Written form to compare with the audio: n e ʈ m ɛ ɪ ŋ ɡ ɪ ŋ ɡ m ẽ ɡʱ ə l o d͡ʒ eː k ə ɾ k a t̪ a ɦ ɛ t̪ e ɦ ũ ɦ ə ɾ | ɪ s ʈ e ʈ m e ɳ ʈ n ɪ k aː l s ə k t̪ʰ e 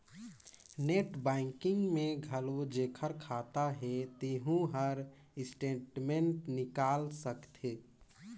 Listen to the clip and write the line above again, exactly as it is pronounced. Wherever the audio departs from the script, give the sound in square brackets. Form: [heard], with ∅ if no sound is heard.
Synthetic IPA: n e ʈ [b] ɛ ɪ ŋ [k] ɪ ŋ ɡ m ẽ ɡʱ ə l o d͡ʒ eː [kʰ] ə ɾ [kʰ] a t̪ a ɦ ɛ t̪ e ɦ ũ ɦ ə ɾ | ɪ s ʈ e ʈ m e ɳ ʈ n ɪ k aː l s ə k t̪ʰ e